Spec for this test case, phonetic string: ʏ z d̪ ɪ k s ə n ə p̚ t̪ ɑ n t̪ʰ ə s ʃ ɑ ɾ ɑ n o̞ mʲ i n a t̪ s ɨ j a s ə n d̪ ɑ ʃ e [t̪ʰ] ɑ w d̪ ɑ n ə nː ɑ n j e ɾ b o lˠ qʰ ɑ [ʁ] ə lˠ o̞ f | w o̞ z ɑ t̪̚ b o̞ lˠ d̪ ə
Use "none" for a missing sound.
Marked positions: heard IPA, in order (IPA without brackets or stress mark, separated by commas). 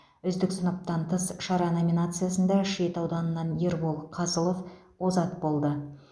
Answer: t̪, z